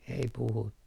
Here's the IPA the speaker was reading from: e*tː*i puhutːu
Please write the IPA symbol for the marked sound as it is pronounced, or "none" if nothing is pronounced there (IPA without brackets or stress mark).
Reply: none